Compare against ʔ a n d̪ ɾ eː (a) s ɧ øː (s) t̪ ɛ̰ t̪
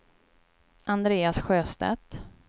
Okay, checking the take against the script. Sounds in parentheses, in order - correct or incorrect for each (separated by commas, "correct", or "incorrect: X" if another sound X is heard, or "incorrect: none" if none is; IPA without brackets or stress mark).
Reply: correct, correct